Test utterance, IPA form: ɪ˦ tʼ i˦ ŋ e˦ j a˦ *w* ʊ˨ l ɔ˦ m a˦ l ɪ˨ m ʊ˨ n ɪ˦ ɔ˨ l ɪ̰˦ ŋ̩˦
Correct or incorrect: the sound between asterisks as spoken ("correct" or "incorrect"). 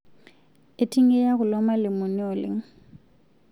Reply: incorrect